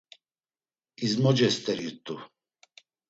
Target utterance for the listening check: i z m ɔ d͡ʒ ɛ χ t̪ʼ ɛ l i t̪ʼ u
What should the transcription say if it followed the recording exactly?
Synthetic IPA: i z m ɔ d͡ʒ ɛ s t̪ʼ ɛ ɾ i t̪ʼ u

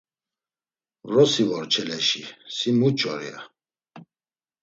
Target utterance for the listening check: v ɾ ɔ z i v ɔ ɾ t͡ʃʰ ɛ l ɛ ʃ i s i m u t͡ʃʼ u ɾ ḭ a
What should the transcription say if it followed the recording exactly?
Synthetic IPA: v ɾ ɔ s i v ɔ ɾ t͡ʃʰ ɛ l ɛ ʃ i s i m u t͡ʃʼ ɔ ɾ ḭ a

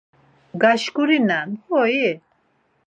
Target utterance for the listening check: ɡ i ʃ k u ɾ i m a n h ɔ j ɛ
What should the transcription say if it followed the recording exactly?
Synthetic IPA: ɡ a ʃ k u ɾ i n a n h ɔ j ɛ

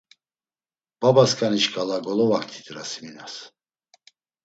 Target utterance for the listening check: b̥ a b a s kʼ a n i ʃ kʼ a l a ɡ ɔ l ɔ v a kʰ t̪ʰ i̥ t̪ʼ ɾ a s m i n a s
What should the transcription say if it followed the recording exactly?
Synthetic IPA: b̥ a b a s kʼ a n i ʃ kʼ a l a ɡ ɔ l ɔ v a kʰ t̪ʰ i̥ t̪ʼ ɾ a s m i n a s

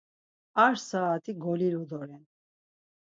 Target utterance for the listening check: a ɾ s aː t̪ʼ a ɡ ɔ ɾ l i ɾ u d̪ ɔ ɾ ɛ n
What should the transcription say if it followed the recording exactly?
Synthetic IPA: a ɾ s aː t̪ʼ i ɡ ɔ l i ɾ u d̪ ɔ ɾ ɛ n

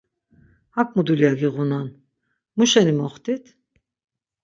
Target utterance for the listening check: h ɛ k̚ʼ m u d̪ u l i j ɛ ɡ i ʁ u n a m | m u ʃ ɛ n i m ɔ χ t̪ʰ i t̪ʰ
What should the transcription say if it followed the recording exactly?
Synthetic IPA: h a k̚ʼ m u d̪ u l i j a ɡ i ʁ u n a n | m u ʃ ɛ n i m ɔ χ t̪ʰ i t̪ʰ

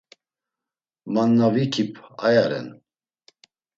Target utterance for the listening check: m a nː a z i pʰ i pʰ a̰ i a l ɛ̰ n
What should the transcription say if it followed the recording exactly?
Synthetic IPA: m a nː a v i kʰ i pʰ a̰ j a ɾ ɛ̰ n

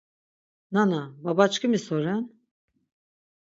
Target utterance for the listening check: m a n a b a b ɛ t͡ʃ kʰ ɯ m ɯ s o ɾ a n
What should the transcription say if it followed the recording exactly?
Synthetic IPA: n a n a b a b a t͡ʃ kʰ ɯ m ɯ s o ɾ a n

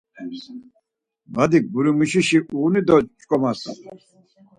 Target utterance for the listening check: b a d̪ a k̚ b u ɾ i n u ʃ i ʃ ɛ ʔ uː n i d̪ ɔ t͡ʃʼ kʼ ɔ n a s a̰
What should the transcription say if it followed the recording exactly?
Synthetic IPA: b a d̪ i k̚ b u ɾ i m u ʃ i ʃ i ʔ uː n i d̪ ɔ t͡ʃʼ kʼ ɔ m a s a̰

